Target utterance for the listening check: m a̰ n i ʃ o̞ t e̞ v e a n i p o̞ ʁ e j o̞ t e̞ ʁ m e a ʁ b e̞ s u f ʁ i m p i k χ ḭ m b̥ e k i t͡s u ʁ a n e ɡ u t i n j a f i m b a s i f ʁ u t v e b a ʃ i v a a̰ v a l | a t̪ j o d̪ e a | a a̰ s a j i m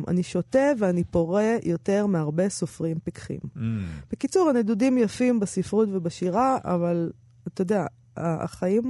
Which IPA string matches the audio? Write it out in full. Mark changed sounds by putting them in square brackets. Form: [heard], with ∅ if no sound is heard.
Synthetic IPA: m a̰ n i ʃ o̞ t e̞ v e a n i p o̞ ʁ e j o̞ t e̞ ʁ m e a ʁ b e̞ s [o] f ʁ i m p i k χ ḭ m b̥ e k i t͡s u ʁ a n e [d] u [d] i [m] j a f i m b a s i f ʁ u t v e b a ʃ i [ʁ] a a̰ v a l | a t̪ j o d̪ e a | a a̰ [χ] a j i m